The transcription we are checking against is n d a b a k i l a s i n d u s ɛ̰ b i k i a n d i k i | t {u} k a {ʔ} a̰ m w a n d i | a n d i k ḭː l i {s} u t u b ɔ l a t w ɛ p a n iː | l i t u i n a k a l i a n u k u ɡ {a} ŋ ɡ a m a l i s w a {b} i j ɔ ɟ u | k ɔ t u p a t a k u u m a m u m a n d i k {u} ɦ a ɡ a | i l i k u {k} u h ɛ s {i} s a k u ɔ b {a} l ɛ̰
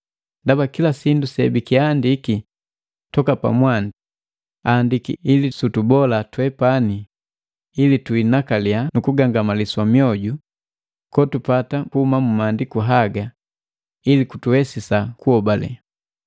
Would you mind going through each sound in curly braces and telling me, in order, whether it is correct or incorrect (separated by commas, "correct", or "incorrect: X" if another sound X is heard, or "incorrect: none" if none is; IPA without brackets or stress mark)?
incorrect: ɔ, incorrect: p, correct, correct, incorrect: m, correct, incorrect: t, correct, correct